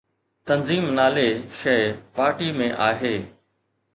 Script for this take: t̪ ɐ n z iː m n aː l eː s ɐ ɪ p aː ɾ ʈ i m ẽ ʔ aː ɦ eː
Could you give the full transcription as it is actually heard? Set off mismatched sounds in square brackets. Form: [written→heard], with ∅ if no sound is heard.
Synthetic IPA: t̪ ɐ n z iː m n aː l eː [s→ʃ] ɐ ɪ p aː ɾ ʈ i m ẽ ʔ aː ɦ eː